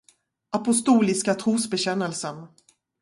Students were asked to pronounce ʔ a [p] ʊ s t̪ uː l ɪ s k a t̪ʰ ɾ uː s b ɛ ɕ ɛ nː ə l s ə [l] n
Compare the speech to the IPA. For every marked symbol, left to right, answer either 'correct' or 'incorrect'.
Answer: correct, incorrect: none

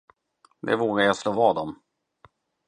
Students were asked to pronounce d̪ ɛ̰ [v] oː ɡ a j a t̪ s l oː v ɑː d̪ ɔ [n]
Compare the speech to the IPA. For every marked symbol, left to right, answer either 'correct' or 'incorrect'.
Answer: correct, incorrect: m

